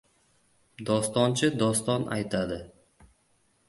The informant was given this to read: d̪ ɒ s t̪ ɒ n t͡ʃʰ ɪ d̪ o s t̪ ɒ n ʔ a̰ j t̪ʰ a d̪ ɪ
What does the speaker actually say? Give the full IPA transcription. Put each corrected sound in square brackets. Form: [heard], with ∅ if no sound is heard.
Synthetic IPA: d̪ ɒ s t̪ ɒ n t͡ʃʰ ɪ d̪ [ɒ] s t̪ ɒ n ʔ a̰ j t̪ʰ a d̪ ɪ